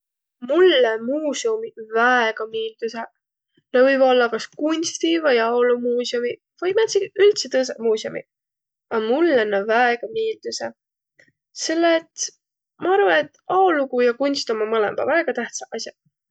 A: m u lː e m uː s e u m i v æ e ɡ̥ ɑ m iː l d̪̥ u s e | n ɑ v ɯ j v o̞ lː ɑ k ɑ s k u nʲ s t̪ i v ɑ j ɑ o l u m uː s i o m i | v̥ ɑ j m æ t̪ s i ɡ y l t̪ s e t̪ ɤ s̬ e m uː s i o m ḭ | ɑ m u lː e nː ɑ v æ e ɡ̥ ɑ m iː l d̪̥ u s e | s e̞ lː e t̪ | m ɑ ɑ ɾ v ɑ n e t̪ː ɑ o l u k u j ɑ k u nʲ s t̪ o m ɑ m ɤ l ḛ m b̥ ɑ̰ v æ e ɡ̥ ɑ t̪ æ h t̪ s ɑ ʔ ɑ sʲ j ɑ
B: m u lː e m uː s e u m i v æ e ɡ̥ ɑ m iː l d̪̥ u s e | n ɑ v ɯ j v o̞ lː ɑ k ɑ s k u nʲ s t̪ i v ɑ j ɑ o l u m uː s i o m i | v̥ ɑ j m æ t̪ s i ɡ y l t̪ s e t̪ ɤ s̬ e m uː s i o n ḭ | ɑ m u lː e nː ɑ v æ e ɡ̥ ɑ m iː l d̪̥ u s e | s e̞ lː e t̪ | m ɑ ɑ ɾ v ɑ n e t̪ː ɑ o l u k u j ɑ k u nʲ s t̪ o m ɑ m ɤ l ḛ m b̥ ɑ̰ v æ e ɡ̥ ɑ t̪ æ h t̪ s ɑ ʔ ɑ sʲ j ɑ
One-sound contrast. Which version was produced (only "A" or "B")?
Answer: A